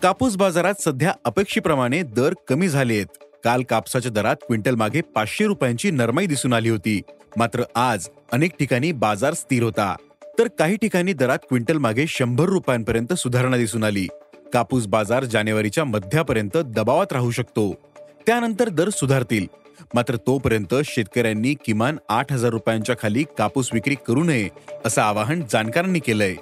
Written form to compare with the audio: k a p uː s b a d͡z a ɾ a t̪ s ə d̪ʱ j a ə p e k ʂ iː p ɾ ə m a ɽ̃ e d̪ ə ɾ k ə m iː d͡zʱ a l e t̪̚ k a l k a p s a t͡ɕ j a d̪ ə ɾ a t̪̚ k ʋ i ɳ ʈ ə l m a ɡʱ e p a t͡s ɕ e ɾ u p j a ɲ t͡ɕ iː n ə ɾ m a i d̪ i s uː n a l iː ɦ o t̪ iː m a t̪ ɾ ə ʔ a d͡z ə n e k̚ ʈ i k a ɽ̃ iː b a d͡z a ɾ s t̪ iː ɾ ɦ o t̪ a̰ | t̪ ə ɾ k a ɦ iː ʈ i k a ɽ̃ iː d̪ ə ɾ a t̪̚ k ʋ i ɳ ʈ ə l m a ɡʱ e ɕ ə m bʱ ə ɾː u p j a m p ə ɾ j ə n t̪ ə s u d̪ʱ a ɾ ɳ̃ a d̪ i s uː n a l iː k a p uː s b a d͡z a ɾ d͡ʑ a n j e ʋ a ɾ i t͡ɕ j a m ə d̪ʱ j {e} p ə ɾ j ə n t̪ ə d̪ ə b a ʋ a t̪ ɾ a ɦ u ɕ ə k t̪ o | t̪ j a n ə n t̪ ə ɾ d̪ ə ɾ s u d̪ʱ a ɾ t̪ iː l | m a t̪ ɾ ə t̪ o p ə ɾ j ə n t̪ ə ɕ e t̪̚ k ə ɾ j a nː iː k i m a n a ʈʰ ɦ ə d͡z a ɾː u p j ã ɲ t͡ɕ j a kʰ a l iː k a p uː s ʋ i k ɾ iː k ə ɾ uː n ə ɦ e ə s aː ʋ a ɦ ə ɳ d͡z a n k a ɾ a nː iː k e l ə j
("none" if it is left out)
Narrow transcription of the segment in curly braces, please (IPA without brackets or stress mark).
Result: a